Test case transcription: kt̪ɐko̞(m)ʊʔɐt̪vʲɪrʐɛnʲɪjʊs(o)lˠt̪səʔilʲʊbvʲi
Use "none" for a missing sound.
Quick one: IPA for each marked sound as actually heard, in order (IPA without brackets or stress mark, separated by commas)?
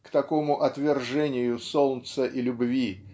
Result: m, o